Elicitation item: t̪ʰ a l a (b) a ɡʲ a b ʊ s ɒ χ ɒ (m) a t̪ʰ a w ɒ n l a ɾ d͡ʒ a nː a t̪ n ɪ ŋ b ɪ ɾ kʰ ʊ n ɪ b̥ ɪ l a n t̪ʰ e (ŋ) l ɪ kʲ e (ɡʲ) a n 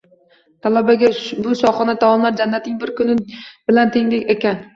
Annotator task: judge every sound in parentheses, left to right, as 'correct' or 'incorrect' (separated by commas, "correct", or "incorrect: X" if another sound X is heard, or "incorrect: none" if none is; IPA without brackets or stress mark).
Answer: correct, incorrect: n, correct, incorrect: kʲ